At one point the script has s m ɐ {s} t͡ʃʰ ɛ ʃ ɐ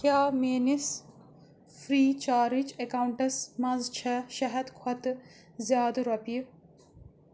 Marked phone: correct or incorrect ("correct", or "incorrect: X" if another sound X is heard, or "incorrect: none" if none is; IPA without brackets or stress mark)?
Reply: incorrect: z